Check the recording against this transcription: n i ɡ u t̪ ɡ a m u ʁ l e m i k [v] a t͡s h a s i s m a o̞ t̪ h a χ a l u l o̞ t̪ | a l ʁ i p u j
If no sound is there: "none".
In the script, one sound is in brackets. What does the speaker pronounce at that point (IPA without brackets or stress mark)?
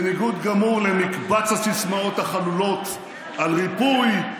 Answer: b